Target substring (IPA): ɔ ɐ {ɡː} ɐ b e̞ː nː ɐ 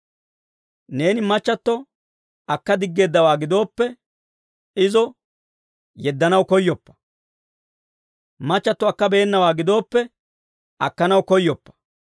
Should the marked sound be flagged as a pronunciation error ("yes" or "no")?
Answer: yes